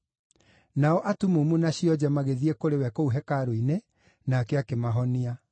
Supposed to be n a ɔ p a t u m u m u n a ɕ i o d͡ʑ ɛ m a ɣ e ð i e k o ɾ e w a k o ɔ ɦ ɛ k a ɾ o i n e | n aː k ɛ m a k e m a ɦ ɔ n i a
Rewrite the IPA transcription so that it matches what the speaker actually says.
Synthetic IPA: n a ɔ ʔ a t u m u m u n a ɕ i ɔ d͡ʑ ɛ m a ɣ e ð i e k o ɾ e w ɛ k o u ɦ ɛ k a ɾ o i n e | n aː k ɛ a k e m a ɦ ɔ n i a

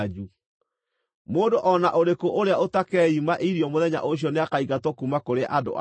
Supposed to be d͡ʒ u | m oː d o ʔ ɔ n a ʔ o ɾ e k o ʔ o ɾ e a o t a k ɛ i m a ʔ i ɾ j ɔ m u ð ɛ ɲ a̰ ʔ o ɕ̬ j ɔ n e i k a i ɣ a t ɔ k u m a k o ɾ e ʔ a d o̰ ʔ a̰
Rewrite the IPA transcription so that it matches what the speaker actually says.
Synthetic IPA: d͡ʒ u | m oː d o ʔ ɔ n a ʔ o ɾ e k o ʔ o ɾ e a o t a k ɛ i m a ʔ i ɾ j ɔ m o ð ɛ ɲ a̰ ʔ o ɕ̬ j ɔ n e a k a i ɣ a t ɔ k u m a k o ɾ e ʔ a d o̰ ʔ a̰

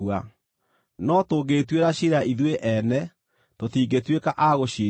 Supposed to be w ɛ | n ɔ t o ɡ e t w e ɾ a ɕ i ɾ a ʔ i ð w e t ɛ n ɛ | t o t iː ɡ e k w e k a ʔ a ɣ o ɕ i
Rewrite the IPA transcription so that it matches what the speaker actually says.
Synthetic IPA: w a | n ɔ t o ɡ e t w e ɾ a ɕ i ɾ a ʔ i ð w e ʔ ɛ n ɛ | t o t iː ɡ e t w e k a ʔ a ɣ o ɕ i

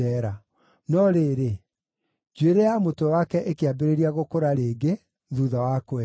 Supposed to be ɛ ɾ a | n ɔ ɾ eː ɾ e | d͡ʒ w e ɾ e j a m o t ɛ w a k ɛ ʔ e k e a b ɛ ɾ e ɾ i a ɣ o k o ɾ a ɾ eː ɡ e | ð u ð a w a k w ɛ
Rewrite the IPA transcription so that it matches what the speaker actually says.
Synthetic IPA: ɛ ɾ a | n ɔ ɾ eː ɾ e | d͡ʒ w e ɾ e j a m o t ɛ w a k ɛ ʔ e k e a b e ɾ e ɾ i a ɣ o k o ɾ a ɾ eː ɡ e | ð u ð a w a k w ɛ

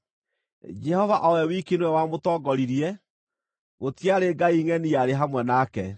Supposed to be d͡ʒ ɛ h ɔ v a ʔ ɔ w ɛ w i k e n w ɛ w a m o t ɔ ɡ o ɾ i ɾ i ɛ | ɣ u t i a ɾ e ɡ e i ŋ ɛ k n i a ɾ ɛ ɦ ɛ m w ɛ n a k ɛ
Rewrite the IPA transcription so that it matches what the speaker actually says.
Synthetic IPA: d͡ʒ ɛ h ɔ v a ʔ ɔ w ɛ w i k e n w ɛ w a m o t ɔ ɡ ɔ ɾ i ɾ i ɛ | ɣ o t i a ɾ e ɡ a i ŋ ɛ n i a ɾ e ɦ a m w ɛ n a k ɛ

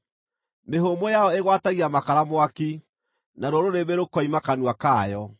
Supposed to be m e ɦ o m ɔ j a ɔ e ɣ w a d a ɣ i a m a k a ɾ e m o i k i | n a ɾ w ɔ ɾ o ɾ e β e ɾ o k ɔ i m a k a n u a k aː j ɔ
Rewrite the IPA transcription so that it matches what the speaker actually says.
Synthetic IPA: m e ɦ o m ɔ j a ɔ e ɣ w a t a ɣ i a m a k a ɾ a m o a k i | n a ɾ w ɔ ɾ o ɾ e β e ɾ o k ɔ i m a k a n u a k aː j ɔ

